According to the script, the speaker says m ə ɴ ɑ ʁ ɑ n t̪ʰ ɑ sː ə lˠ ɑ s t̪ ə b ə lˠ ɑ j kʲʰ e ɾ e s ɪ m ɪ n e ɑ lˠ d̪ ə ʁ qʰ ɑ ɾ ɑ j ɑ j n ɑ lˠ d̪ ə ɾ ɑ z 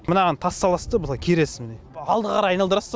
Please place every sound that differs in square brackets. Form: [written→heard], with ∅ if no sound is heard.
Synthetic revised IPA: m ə [ɴ→n] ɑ ʁ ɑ n t̪ʰ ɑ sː [ə→ɑ] lˠ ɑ s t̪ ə b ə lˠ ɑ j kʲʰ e ɾ e s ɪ m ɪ n e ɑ lˠ d̪ ə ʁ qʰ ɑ ɾ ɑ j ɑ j n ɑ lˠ d̪ ə ɾ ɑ [z→s]